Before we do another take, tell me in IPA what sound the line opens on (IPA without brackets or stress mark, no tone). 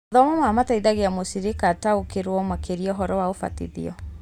ð